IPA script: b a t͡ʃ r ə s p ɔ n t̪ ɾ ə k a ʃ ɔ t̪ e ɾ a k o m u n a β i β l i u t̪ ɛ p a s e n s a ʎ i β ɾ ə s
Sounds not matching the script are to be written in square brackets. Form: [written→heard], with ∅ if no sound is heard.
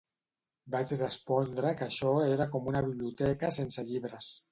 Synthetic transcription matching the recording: b a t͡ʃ r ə s p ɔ n [t̪→d̪] ɾ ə k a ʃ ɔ [t̪→∅] e ɾ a k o m u n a β i β l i u t̪ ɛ [p→k] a s e n s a ʎ i β ɾ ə s